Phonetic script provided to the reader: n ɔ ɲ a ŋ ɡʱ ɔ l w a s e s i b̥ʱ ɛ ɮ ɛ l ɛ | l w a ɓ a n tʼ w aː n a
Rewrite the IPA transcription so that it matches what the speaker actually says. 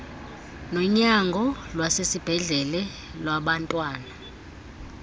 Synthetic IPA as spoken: n ɔ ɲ a ŋ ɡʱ ɔ l w a s e s i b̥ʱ ɛ ɮ ɛ l ɛ | l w a ɓ a n tʼ w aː n a